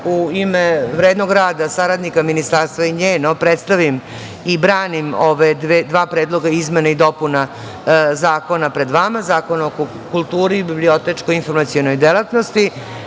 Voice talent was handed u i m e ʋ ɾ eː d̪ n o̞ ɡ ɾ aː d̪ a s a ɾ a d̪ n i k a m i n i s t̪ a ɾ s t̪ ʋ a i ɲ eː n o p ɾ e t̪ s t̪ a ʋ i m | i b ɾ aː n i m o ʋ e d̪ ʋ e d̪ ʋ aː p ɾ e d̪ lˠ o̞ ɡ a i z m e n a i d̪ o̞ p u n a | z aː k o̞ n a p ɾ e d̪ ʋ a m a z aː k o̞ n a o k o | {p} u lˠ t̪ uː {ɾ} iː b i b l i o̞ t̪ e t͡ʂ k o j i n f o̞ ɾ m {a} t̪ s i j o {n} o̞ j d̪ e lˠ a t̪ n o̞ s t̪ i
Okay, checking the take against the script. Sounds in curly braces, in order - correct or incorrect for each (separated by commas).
incorrect, correct, correct, correct